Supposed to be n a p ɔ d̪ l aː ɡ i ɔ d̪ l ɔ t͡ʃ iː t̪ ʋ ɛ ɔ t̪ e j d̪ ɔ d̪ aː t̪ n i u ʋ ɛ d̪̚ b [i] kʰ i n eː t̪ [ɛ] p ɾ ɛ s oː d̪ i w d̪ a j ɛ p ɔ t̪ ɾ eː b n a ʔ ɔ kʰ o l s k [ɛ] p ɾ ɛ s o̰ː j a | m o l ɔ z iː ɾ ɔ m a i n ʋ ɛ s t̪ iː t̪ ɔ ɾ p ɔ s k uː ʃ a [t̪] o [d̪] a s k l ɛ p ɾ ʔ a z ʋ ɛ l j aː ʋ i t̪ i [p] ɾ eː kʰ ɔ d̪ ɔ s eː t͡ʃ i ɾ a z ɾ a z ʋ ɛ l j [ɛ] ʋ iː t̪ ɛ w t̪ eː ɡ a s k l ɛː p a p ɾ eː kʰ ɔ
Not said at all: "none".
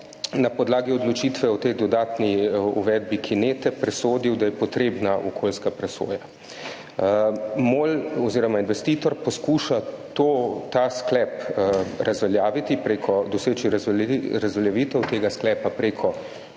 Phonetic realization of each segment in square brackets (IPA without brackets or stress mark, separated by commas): i, ɛ, a, t̪, t̪, p, a